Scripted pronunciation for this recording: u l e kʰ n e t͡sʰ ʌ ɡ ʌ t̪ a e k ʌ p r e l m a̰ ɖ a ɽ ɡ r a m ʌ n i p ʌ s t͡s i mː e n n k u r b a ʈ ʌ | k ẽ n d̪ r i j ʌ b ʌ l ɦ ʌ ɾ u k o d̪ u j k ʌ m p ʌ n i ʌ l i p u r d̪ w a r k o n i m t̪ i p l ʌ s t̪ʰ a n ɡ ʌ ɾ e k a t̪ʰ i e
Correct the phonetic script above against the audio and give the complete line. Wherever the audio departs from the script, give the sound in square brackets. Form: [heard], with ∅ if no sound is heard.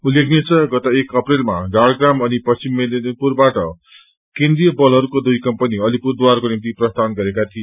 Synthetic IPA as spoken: u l e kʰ n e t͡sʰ ʌ ɡ ʌ t̪ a e k ʌ p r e l m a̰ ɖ a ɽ ɡ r a m ʌ n i p ʌ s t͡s i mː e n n [p] u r b a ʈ ʌ | k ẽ n d̪ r i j ʌ b ʌ l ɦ ʌ ɾ u k o d̪ u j k ʌ m p ʌ n i ʌ l i p u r d̪ w a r k o n i m t̪ i p [r] ʌ s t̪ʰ a n ɡ ʌ ɾ e k a t̪ʰ i e